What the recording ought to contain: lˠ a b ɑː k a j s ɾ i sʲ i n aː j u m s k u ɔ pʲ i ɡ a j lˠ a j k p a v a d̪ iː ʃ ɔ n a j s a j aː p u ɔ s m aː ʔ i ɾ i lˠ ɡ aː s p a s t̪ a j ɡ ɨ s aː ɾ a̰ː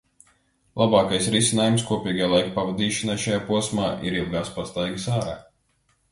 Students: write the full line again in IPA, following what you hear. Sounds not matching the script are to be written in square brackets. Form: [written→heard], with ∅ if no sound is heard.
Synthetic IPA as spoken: lˠ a b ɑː k a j s ɾ i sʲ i n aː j u m s k u ɔ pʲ [i→iː] ɡ a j lˠ a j k p a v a d̪ iː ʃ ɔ n a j [s→ʃ] a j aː p u ɔ s m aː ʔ i ɾ i lˠ ɡ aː s p a s t̪ a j ɡ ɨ s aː ɾ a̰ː